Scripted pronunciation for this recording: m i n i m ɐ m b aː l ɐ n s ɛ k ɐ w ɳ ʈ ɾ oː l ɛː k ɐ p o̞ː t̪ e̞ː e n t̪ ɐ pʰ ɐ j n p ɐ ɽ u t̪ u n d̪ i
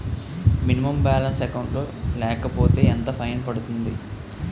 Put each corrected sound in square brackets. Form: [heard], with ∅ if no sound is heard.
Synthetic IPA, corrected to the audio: m i n i m ɐ m b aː l ɐ n s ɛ k ɐ w ɳ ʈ [l] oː l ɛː k ɐ p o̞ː t̪ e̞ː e n t̪ ɐ pʰ ɐ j n p ɐ ɽ u t̪ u n d̪ i